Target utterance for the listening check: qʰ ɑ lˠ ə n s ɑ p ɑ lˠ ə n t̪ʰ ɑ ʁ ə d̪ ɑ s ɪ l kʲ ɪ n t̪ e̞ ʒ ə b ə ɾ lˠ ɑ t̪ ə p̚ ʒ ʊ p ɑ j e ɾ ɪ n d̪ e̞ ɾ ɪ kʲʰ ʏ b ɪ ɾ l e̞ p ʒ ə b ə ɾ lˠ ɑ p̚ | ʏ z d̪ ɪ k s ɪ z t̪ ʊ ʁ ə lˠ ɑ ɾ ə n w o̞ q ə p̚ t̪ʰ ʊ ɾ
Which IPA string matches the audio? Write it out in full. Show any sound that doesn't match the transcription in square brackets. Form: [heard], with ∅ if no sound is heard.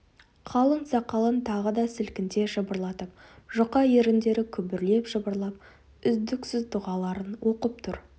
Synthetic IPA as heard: qʰ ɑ lˠ ə [ɴ] s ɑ [q] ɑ lˠ ə n t̪ʰ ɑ ʁ ə d̪ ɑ s ɪ l kʲ ɪ n t̪ e̞ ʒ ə b ə ɾ lˠ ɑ t̪ ə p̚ ʒ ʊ [q] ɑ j e ɾ ɪ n d̪ e̞ ɾ ɪ kʲʰ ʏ b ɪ ɾ l e̞ p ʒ ə b ə ɾ lˠ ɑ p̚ | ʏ z d̪ ɪ k s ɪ z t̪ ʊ ʁ [ɑ] lˠ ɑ ɾ ə n w o̞ q ə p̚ t̪ʰ ʊ ɾ